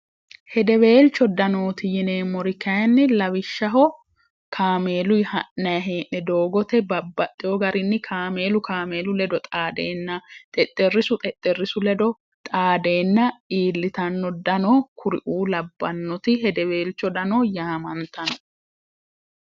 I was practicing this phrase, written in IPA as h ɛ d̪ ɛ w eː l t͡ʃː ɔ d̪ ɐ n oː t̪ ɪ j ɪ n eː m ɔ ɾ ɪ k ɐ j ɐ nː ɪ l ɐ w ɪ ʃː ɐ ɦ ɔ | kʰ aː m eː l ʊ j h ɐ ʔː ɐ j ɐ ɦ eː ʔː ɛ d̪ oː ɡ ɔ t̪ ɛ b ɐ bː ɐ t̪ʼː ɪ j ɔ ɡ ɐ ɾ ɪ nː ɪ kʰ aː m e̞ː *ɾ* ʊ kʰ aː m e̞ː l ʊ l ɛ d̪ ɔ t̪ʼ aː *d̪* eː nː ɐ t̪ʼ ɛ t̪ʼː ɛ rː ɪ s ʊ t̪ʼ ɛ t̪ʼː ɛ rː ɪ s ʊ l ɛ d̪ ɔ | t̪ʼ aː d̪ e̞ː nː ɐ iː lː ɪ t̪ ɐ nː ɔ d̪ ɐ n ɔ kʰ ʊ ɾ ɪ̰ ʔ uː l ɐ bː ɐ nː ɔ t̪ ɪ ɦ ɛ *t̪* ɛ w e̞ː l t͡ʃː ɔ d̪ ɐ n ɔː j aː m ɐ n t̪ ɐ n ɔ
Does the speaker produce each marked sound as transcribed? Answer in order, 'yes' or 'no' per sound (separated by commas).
no, yes, no